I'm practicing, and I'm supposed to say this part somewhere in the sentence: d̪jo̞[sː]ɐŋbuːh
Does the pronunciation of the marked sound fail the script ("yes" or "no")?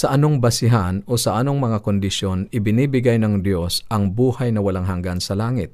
yes